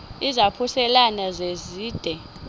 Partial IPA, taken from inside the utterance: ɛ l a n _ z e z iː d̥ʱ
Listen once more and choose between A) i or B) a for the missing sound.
B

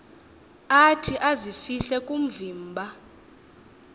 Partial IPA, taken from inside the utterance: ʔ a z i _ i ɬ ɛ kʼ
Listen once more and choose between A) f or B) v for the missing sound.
A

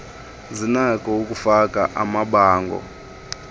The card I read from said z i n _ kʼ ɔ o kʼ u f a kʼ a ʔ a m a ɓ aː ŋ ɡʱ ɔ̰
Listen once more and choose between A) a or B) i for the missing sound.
A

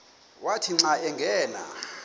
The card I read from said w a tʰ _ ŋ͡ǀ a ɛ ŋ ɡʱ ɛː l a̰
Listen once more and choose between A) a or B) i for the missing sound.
B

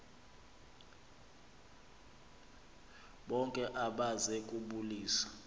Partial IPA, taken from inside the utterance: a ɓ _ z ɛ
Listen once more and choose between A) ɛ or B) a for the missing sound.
B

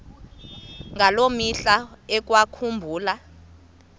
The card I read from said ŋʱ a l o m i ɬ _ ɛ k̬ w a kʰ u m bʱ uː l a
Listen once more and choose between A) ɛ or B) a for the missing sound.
B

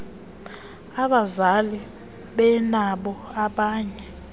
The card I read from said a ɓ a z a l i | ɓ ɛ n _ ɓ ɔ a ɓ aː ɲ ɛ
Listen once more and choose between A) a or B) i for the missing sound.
A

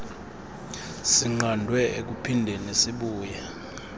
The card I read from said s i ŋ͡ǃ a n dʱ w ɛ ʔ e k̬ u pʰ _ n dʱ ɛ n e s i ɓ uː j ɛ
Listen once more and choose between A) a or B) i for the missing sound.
B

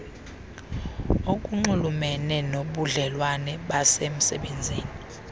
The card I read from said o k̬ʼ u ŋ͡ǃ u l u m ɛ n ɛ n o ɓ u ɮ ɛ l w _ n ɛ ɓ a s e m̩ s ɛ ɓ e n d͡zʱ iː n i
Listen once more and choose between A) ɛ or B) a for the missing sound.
B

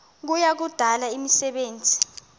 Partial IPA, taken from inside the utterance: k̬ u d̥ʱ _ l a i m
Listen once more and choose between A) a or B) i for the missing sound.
A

